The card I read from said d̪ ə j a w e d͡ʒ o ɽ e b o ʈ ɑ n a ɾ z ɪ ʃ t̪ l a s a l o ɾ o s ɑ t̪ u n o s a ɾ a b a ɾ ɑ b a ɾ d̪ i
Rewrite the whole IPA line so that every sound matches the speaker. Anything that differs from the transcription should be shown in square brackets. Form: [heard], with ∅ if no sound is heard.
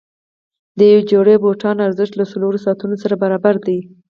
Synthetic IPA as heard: d̪ ə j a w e d͡ʒ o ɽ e b o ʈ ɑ n a ɾ z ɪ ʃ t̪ l a s a l o ɾ o s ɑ t̪ u n o s a ɾ a b a ɾ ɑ b a ɾ d̪ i